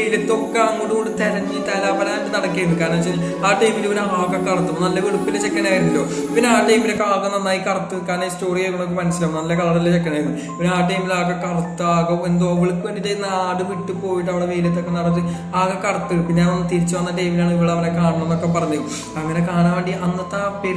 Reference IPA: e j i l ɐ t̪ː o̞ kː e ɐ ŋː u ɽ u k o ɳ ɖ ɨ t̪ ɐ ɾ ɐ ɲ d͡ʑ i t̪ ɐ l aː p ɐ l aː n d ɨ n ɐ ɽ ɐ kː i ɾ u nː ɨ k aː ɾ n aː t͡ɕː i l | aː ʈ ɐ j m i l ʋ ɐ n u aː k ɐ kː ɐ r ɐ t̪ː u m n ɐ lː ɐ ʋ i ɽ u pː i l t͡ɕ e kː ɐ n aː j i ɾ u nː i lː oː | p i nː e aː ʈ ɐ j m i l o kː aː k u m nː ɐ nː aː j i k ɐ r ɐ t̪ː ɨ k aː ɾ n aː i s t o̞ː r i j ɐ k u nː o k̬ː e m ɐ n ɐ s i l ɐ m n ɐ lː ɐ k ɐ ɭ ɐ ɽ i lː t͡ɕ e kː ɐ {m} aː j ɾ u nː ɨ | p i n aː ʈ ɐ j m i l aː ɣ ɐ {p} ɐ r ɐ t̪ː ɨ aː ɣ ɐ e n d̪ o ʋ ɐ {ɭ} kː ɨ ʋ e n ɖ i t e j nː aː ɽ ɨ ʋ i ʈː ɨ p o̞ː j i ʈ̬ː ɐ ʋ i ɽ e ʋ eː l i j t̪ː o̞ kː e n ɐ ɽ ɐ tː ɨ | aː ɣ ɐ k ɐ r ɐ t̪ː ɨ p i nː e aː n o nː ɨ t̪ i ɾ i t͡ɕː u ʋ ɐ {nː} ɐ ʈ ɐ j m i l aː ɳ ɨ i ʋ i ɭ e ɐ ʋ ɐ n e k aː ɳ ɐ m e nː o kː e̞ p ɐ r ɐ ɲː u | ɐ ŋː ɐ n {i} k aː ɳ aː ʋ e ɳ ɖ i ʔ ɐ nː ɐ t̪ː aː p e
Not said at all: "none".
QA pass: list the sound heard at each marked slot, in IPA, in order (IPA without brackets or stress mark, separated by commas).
n, k, ɭ, nː, e